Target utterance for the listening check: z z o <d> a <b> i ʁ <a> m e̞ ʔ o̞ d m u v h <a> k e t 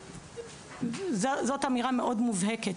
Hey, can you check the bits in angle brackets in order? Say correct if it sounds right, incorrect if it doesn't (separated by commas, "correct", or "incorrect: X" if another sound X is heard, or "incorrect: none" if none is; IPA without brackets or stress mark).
incorrect: t, incorrect: m, correct, incorrect: e